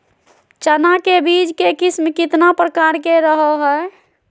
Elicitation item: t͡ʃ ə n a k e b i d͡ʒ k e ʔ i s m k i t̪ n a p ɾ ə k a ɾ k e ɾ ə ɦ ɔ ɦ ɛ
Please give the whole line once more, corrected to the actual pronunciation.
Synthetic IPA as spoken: t͡ʃ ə n a k e b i d͡ʒ k e k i s m k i t̪ n a p ɾ ə k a ɾ k e ɾ ə ɦ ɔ ɦ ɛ